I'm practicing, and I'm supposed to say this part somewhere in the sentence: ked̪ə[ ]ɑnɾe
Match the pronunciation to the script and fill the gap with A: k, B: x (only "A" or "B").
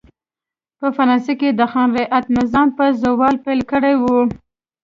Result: B